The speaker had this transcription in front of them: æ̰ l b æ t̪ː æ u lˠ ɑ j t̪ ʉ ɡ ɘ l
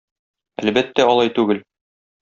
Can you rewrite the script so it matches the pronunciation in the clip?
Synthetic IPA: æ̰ l b æ t̪ː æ ɒ lˠ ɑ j t̪ ʉ ɡ ɘ l